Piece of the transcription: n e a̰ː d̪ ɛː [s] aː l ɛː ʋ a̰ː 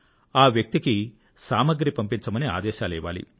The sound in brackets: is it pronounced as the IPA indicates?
no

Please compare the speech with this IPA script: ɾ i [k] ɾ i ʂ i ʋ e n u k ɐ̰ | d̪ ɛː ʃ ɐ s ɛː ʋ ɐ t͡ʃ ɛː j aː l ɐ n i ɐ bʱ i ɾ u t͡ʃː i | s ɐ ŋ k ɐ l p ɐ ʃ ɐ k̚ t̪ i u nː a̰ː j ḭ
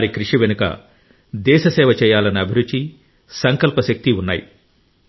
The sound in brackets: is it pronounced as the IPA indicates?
yes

